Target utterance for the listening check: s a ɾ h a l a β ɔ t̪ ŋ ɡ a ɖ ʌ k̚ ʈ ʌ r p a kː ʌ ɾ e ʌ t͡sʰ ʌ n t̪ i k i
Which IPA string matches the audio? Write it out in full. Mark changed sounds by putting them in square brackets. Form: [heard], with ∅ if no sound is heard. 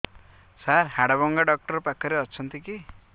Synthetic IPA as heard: s a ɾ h a [ɽ] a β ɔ [∅] ŋ ɡ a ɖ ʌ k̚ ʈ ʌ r p a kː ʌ ɾ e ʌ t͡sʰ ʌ n t̪ i k i